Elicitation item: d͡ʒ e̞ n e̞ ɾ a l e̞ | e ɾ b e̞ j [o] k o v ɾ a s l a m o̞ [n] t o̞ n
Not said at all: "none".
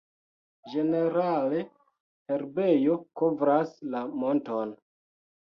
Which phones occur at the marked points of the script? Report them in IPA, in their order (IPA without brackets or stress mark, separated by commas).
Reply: o, n